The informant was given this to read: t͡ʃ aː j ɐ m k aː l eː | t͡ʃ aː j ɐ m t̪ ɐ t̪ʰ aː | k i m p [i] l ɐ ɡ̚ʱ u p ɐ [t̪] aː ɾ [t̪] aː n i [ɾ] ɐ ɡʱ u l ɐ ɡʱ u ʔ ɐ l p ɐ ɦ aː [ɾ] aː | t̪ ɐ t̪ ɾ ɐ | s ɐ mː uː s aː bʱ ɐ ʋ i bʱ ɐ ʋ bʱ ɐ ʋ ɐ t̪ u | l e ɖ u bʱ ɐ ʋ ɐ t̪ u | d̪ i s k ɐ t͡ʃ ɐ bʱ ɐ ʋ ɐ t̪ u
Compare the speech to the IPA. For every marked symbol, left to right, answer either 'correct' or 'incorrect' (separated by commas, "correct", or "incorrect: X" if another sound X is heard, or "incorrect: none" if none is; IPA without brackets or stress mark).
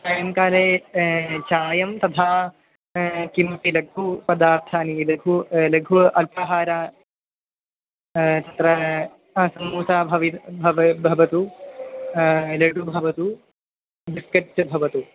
correct, incorrect: d̪, incorrect: t̪ʰ, incorrect: l, correct